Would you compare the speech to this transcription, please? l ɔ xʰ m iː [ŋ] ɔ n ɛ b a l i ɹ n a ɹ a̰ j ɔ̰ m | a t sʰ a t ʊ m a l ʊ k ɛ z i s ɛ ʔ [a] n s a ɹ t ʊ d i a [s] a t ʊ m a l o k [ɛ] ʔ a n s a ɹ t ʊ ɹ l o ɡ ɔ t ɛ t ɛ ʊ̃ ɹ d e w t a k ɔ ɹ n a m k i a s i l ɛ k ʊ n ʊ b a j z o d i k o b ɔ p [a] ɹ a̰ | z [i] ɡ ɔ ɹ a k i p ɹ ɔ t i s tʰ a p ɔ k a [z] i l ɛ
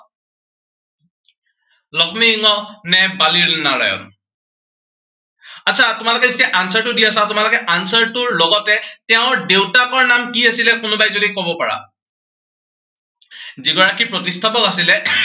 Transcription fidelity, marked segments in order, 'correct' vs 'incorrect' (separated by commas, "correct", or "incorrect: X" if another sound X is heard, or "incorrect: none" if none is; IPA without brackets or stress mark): correct, correct, correct, correct, correct, correct, incorrect: s